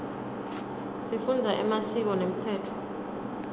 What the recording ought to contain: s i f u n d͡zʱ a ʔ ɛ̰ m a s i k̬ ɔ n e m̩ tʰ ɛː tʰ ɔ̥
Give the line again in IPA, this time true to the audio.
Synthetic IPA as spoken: s i f u n d͡zʱ a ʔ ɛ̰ m a s i k̬ ɔ n e m̩ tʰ ɛː tʰ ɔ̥